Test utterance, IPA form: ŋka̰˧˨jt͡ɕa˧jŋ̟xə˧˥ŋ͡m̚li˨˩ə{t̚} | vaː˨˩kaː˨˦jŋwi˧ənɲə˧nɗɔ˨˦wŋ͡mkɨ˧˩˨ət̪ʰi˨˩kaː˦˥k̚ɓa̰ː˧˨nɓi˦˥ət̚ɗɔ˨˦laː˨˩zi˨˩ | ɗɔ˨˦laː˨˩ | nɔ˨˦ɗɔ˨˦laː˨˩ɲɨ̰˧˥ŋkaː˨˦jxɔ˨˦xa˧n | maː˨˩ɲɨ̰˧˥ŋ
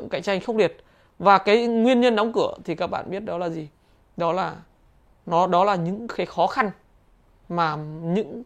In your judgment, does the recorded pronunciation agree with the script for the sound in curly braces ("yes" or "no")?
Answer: yes